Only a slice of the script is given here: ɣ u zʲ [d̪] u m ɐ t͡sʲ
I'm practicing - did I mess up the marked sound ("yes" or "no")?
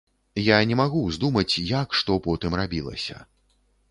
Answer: no